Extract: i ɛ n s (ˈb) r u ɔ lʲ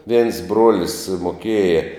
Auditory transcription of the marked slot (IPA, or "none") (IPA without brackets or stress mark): b